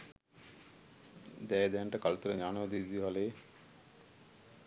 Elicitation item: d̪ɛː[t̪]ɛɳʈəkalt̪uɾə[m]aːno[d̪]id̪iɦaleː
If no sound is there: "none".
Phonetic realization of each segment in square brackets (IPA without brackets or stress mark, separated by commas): d̪, ɲ, d̪